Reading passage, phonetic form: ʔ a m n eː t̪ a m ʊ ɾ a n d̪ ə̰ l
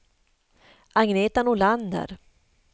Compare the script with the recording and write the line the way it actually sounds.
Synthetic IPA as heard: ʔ a ŋ n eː t̪ a n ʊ l a n d̪ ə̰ ɾ

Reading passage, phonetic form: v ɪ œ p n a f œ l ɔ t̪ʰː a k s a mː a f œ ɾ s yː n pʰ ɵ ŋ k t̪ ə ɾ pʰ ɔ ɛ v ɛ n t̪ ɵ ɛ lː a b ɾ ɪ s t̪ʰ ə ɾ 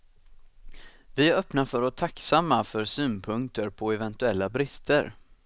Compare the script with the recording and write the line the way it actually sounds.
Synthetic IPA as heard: v ɪ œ p n a f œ ɾ ɔ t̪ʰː a k s a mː a f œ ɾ s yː n pʰ ɵ ŋ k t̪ ə ɾ pʰ ɔ ɛ v ɛ n t̪ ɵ ɛ lː a b ɾ ɪ s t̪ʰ ə ɾ

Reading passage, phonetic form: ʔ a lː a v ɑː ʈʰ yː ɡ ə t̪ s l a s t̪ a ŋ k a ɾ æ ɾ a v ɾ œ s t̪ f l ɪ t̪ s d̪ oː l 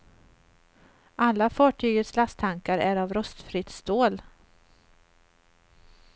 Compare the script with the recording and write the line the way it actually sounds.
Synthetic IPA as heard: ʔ a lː a f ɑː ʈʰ yː ɡ ə t̪ s l a s t̪ʰ a ŋ k a ɾ æ ɾ a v ɾ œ s t̪ f ɾ ɪ t̪ s t̪ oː l

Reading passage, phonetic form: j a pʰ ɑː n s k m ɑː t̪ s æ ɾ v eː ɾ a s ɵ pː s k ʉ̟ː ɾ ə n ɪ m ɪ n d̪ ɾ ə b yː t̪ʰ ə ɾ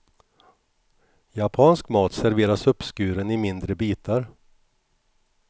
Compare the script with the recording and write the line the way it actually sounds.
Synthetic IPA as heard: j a pʰ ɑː n s k m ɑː t̪ s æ ɾ v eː ɾ a s ɵ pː s k ʉ̟ː ɾ ə n ɪ m ɪ n d̪ ɾ ə b iː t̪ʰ a ɾ

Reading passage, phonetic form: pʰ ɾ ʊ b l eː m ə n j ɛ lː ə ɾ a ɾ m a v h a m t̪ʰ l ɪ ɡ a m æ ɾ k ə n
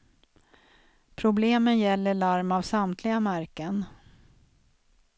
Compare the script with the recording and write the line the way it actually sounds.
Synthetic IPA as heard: pʰ ɾ ʊ b l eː m ə n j ɛ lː ə ɭ a ɾ m a v s a m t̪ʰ l ɪ ɡ a m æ ɾ k ə n

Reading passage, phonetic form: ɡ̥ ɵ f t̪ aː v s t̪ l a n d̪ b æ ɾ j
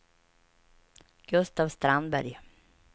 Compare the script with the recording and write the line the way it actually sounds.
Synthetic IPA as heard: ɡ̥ ɵ s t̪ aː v s t̪ ɾ a n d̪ b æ ɾ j

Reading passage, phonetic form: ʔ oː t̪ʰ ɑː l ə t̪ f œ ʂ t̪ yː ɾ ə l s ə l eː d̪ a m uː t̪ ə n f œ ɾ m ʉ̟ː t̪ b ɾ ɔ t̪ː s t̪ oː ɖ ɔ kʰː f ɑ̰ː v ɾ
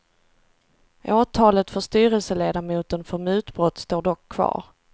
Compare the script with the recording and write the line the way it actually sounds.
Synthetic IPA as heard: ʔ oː t̪ʰ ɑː l ə t̪ f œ ʂ t̪ yː ɾ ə l s ə l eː d̪ a m uː t̪ ə n f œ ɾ m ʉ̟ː t̪ b ɾ ɔ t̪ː s t̪ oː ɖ ɔ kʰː v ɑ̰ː ɾ

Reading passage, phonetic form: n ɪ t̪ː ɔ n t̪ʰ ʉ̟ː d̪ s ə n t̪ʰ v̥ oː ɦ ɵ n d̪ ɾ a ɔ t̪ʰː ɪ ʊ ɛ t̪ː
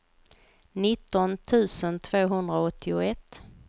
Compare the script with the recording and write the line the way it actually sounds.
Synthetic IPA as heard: n ɪ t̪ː ɔ n t̪ʰ ʉ̟ː s ə n t̪ʰ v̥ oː ɦ ɵ n d̪ ɾ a ɔ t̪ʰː ɪ ʊ ɛ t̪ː

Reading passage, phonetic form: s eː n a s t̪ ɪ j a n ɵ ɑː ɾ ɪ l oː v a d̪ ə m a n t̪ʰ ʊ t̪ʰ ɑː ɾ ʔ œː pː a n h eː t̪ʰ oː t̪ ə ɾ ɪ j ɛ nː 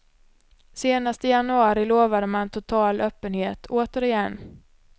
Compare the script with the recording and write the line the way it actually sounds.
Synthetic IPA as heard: s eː n a s t̪ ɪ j a n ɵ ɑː ɾ ɪ l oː v a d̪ ə m a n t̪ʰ ʊ t̪ʰ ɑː l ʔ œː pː ə n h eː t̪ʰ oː t̪ ə ɾ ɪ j ɛ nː

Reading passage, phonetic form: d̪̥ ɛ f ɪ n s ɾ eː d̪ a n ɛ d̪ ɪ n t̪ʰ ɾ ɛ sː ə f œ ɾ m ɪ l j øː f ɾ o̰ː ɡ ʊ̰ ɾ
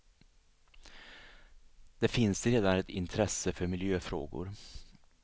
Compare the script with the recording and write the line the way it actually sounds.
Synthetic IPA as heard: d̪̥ ɛ f ɪ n s ɾ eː d̪ a n ɛ t̪ ɪ n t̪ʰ ɾ ɛ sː ə f œ ɾ m ɪ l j øː f ɾ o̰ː ɡ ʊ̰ ɾ

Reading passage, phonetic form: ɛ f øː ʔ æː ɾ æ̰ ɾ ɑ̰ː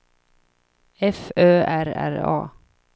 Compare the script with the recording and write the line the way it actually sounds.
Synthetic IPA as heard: ɛ f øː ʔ æ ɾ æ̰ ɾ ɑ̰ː

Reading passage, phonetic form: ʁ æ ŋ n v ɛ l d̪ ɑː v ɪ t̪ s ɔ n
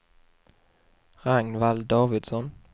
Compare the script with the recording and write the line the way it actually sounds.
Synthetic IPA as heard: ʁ a ŋ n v a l d̪ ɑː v ɪ d̪ s ɔ n

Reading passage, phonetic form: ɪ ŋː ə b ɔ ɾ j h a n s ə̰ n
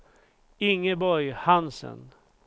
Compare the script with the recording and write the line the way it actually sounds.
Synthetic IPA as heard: ɪ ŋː ə b ɔ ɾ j h a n s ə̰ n

